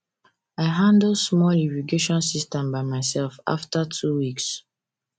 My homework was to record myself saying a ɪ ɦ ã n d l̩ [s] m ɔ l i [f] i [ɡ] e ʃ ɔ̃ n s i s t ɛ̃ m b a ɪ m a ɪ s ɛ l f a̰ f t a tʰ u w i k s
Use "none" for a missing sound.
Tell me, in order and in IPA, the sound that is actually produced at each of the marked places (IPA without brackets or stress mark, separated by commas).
s, v, ɡ